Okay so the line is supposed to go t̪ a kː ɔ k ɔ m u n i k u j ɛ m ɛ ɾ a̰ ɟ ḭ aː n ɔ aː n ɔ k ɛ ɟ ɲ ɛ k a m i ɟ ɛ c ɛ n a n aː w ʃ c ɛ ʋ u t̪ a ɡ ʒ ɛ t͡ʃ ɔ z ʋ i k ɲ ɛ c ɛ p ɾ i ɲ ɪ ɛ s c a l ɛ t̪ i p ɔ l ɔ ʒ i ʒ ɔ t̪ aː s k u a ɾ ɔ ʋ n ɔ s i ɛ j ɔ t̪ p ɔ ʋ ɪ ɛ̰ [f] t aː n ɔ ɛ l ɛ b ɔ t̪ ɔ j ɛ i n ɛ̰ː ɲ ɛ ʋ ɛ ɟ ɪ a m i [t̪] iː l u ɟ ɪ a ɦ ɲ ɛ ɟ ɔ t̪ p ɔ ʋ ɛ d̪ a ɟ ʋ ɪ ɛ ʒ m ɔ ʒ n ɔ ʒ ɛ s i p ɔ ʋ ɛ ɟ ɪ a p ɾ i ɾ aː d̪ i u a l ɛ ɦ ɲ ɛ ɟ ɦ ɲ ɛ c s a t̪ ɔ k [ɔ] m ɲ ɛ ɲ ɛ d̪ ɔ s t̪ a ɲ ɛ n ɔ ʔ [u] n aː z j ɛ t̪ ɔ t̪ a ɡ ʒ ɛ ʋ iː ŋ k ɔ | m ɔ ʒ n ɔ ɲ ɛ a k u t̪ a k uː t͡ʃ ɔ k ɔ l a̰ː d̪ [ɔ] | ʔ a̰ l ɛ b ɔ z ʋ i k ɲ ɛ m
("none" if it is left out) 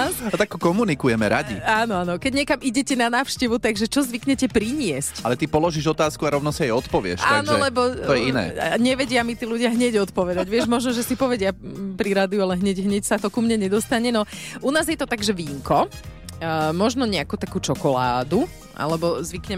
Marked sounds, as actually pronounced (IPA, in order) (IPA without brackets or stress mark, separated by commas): ʃ, t̪, u, u, u